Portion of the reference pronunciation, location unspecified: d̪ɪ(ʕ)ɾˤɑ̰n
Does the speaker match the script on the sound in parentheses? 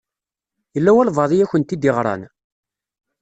no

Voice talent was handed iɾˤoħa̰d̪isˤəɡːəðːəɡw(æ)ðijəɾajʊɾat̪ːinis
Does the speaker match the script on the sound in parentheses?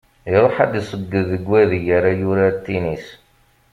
yes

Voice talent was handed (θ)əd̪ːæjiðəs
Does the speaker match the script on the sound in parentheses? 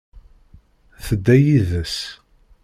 yes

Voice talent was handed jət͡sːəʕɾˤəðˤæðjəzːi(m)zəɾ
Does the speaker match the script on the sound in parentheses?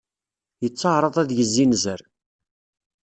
no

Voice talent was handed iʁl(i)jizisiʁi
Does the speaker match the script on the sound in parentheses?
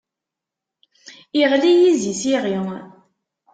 yes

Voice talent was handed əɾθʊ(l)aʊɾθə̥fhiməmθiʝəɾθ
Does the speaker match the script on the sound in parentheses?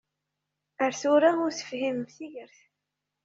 no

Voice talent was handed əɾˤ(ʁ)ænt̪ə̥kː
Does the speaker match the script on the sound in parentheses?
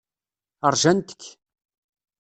no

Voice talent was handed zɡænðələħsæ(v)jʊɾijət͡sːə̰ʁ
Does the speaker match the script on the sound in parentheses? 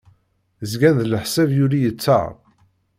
yes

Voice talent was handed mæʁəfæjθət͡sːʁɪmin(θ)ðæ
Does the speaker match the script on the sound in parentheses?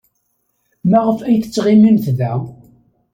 yes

